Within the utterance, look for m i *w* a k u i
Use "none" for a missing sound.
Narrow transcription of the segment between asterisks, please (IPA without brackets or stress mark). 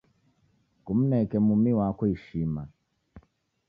w